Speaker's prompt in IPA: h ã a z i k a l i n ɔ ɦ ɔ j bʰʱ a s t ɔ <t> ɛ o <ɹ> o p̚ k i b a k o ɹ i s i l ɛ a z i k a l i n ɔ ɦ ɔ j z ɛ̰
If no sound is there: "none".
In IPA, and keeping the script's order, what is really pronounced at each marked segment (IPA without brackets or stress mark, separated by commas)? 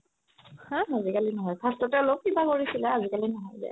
t, l